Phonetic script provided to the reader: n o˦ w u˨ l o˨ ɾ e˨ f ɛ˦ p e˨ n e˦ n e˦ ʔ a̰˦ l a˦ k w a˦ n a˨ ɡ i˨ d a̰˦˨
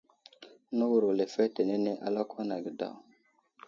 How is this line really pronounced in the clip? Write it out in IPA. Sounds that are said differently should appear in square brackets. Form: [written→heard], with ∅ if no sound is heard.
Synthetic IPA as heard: n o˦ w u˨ [l→ɾ] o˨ [ɾ→l] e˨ f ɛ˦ [p→t] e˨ n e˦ n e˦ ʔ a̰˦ l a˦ k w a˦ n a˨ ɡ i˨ d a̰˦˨